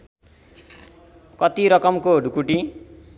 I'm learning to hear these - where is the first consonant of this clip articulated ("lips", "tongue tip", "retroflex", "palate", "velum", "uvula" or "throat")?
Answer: velum